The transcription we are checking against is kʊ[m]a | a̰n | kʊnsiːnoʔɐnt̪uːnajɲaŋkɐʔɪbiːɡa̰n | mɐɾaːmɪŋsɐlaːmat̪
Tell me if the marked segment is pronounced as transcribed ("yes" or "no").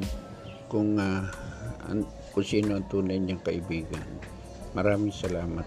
no